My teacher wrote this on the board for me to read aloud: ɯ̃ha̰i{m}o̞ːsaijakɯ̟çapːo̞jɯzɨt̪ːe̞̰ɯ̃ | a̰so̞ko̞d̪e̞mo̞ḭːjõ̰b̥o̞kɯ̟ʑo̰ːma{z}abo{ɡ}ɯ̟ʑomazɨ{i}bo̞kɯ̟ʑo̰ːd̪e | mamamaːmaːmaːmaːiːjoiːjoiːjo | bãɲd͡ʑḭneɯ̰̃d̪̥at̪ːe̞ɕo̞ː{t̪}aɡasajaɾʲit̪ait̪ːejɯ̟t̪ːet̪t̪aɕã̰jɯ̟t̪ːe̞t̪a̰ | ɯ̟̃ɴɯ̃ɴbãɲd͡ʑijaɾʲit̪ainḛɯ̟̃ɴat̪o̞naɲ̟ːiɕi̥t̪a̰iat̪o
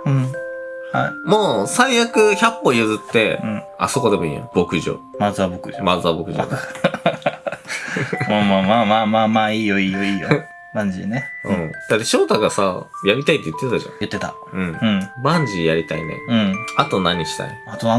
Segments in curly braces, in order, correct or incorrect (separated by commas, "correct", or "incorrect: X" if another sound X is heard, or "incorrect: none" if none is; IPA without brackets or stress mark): correct, correct, incorrect: k, incorrect: a, correct